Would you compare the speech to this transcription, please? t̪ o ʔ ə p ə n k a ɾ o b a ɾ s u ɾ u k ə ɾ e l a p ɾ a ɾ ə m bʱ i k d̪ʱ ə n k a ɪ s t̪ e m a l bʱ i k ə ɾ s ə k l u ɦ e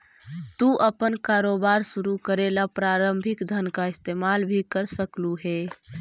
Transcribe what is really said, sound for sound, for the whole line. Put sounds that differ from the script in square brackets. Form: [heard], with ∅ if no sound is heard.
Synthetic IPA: t̪ [u] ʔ ə p ə n k a ɾ o b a ɾ s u ɾ u k ə ɾ e l a p ɾ a ɾ ə m bʱ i k d̪ʱ ə n k a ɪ s t̪ e m a l bʱ i k ə ɾ s ə k l u ɦ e

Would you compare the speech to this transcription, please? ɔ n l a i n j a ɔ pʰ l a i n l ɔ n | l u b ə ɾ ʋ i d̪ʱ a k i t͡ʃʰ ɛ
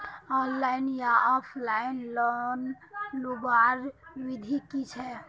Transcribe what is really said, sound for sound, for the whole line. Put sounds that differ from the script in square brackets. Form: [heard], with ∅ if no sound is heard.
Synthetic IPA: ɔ n l a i n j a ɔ pʰ l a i n l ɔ n | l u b [a] ɾ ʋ i d̪ʱ [i] k i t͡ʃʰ ɛ

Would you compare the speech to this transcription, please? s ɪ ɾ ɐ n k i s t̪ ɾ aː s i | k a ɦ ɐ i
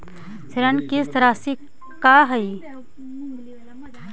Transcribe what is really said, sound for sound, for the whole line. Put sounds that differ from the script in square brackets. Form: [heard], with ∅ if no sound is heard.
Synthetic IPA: s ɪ ɾ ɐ n k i s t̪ ɾ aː s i | k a ɦ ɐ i

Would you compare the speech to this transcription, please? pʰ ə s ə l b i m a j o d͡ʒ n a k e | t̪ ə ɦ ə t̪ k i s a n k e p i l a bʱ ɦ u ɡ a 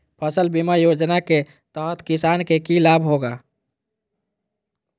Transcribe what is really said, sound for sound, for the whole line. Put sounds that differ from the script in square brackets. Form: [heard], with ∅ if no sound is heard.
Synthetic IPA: pʰ ə s ə l b i m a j o d͡ʒ n a k e | t̪ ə ɦ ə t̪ k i s a n k e [k] i l a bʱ ɦ [o] ɡ a

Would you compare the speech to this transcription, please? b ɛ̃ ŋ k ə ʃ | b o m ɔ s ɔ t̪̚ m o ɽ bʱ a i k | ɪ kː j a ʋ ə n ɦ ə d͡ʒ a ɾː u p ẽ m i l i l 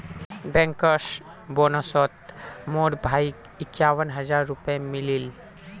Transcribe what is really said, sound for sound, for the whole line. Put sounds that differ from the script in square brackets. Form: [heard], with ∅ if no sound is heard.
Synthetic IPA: b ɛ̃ ŋ k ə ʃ | b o [n] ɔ s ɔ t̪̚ m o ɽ bʱ a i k | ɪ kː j a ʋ ə n ɦ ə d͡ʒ a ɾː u p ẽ m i l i l

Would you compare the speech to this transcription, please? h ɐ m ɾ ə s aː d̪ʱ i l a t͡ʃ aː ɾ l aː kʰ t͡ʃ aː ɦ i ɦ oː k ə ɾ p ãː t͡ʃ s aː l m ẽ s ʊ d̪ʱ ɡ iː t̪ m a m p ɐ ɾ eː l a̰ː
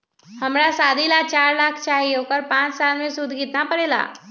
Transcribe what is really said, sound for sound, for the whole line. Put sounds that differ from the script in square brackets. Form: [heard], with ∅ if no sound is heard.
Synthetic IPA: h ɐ m ɾ [a] s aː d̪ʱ i l a t͡ʃ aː ɾ l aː kʰ t͡ʃ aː ɦ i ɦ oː k ə ɾ p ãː t͡ʃ s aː l m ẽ s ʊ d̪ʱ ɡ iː t̪ [n] a [∅] p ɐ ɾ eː l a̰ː

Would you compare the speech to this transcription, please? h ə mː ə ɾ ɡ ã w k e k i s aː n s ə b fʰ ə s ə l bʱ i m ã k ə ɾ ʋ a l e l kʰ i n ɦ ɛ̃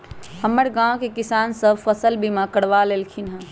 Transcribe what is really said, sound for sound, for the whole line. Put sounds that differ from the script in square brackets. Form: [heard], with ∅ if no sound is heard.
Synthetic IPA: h ə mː ə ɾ ɡ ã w k e k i s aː n s ə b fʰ ə s ə l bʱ i m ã k ə [ɽ] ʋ a l e l kʰ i n ɦ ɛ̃

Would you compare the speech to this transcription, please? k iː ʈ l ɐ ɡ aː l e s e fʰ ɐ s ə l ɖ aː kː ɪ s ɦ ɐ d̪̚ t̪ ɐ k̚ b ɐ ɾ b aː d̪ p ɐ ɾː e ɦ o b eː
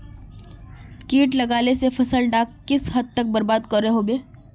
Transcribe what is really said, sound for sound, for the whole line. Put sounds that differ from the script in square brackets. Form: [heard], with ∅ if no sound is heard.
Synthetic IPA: k iː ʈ l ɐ ɡ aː l e s e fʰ ɐ s ə l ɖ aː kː ɪ s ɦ ɐ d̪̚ t̪ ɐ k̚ b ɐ ɾ b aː d̪ [k] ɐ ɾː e ɦ o b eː

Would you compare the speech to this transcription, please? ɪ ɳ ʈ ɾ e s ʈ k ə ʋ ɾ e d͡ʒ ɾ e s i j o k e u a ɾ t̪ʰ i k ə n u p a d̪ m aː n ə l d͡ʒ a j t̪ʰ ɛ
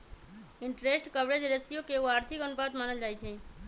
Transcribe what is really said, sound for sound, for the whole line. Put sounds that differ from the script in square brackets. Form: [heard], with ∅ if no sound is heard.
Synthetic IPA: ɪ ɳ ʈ ɾ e s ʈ k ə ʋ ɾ e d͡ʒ ɾ e s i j o k e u a ɾ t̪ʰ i k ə n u p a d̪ m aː n ə l d͡ʒ a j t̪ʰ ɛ

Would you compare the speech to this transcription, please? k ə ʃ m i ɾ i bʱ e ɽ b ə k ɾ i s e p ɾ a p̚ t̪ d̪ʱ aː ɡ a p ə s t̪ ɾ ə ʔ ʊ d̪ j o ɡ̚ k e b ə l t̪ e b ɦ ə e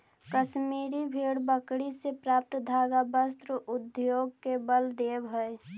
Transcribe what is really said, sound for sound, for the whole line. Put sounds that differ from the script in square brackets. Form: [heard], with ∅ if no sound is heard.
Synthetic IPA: k ə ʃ m i ɾ i bʱ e ɽ b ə k [ɽ] i s e p ɾ a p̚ t̪ d̪ʱ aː ɡ a [b] ə s t̪ ɾ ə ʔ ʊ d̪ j o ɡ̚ k e b ə l [d̪] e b ɦ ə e

